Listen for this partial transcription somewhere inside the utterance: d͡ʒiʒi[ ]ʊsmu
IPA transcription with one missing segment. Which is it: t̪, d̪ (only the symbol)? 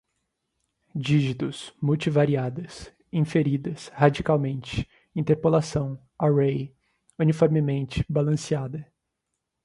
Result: t̪